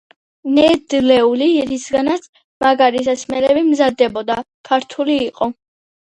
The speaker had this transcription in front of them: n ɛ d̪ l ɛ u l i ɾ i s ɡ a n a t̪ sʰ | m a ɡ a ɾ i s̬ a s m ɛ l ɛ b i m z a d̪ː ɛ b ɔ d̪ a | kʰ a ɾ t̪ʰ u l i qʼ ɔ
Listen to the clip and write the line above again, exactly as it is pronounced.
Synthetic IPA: n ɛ d̪ l ɛ u l i ɾ i s ɡ a n a t̪ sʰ | m a ɡ a ɾ i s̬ a s m ɛ l ɛ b i m z a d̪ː ɛ b ɔ d̪ a | kʰ a ɾ t̪ʰ u l iː qʼ ɔ